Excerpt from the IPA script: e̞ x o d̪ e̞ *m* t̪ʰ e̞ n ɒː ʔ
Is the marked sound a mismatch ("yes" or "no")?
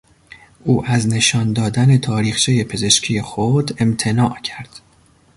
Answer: no